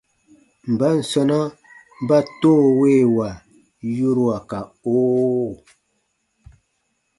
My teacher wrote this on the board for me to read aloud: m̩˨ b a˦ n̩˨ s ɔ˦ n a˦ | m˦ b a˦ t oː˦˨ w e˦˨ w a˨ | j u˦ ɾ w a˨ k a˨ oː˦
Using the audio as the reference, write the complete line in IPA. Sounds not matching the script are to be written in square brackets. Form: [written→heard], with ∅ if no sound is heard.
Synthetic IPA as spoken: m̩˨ b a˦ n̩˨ s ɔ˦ n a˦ | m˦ b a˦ t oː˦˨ w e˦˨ w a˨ | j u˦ ɾ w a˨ k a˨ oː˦